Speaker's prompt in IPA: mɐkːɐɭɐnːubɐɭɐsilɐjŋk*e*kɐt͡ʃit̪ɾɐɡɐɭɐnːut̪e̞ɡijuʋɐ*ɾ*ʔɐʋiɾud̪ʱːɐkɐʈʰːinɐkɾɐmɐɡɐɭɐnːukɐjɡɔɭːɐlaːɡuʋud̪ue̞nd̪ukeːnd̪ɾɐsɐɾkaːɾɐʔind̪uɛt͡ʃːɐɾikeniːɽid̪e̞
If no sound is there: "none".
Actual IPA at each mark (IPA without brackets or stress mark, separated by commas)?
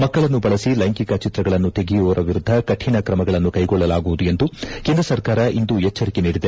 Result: i, ɾ